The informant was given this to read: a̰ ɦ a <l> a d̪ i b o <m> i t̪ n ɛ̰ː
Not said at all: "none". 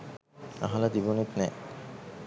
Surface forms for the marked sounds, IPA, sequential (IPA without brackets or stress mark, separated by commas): l, n